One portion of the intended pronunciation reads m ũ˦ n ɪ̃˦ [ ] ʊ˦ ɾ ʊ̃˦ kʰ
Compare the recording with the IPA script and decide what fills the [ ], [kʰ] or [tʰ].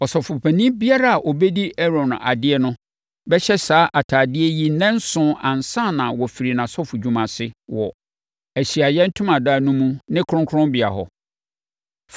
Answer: kʰ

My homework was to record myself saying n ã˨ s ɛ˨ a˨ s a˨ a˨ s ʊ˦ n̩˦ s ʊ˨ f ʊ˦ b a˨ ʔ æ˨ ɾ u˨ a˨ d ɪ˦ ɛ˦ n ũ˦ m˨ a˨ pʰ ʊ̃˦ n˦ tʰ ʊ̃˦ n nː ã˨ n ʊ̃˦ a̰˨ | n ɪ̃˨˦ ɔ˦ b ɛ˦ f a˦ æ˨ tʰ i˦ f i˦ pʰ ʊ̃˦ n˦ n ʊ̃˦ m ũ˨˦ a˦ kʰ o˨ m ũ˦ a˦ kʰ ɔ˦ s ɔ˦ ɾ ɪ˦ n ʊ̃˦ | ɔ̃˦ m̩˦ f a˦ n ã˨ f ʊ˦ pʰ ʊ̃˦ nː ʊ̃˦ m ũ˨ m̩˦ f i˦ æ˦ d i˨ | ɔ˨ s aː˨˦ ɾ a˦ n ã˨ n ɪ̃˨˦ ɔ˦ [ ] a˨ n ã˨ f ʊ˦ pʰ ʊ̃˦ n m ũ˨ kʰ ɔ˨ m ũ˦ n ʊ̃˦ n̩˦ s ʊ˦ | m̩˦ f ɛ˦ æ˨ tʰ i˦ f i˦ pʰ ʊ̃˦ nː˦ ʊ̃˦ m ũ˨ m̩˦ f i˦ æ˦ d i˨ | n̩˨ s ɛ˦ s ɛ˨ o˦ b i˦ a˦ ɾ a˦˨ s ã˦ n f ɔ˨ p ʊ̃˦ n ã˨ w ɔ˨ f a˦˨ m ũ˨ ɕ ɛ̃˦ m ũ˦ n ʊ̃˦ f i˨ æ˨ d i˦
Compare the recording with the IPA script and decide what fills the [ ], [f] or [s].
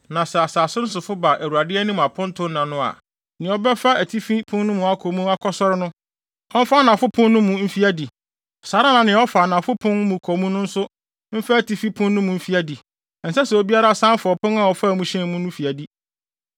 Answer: f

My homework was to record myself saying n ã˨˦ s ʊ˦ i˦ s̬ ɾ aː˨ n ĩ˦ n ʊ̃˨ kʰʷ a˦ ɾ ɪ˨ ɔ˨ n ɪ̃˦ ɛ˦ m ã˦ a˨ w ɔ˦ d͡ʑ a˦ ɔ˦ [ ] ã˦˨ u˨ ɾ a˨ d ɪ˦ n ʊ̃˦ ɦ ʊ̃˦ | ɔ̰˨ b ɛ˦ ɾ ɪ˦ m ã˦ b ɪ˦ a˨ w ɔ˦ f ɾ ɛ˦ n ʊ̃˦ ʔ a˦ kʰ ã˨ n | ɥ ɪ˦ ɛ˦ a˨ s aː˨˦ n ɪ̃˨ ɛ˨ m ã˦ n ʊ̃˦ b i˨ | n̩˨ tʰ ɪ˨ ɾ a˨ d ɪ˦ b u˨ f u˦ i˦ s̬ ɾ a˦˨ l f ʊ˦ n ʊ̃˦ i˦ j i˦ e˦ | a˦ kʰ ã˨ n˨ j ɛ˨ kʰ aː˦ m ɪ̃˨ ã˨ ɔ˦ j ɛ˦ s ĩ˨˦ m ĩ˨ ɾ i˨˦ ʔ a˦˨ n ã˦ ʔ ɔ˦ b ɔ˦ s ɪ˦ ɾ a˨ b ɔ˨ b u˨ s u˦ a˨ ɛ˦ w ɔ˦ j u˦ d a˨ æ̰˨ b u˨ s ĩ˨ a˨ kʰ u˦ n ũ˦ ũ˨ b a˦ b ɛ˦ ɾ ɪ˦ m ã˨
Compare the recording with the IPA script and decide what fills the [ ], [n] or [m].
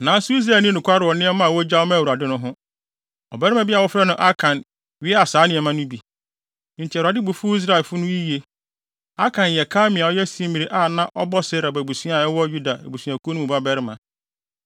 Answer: m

